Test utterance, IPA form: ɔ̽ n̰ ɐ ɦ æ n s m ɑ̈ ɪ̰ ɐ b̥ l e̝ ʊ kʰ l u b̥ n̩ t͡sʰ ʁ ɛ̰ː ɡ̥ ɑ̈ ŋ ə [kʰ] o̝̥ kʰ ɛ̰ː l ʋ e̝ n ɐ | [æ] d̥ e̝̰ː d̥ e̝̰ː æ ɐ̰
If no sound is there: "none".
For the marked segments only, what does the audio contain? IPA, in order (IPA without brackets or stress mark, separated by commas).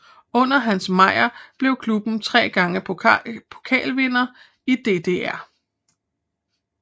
pʰ, i